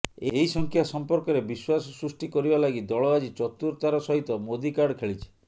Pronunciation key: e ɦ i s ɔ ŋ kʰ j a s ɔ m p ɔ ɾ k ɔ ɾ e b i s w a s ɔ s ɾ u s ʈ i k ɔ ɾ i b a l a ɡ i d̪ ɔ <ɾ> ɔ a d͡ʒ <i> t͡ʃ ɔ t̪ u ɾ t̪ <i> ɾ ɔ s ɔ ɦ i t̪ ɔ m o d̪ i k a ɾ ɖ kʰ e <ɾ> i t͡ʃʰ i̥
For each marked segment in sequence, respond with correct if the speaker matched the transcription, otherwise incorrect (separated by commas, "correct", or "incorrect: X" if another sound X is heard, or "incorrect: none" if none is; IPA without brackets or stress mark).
incorrect: ɭ, correct, incorrect: a, incorrect: ɭ